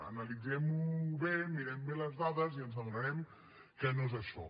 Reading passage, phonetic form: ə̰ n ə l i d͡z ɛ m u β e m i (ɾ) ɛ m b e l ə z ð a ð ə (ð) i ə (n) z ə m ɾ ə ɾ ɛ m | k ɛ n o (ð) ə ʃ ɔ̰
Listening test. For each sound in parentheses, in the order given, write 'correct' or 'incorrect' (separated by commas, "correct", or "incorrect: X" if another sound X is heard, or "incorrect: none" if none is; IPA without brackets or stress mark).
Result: correct, incorrect: z, correct, incorrect: z